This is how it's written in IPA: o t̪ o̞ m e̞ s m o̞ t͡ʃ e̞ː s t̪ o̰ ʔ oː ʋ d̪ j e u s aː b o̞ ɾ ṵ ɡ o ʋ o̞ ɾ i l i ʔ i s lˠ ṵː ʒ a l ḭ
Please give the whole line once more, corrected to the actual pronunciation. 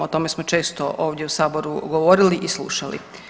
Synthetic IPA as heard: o t̪ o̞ m e̞ s m o̞ t͡ʃ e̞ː s t̪ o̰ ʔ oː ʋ d̪ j e u s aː b o̞ ɾ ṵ ɡ o ʋ o̞ ɾ i l i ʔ i s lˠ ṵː ʃ a l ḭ